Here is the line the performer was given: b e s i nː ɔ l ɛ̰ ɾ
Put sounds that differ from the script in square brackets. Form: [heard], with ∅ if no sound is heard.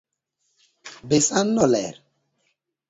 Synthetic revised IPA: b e s [a] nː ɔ l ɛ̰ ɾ